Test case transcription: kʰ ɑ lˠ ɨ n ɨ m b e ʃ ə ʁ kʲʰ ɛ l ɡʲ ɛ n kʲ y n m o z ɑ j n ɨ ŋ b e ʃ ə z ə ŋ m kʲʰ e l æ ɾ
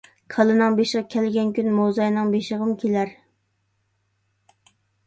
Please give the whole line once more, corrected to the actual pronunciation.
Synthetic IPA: kʰ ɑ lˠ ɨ n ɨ ŋ b e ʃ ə ʁ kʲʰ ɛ l ɡʲ ɛ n kʲ y n m o z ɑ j n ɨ ŋ b e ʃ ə ʁ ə m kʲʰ e l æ ɾ